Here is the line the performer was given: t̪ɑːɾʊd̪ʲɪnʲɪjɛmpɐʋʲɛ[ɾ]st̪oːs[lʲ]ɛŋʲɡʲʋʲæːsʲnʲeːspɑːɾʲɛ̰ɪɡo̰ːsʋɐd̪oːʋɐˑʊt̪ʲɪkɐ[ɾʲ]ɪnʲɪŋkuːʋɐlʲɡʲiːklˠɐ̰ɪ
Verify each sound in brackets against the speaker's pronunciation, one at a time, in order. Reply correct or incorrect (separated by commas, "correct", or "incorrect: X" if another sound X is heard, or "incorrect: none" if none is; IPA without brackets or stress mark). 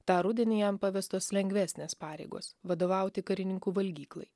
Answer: incorrect: none, correct, correct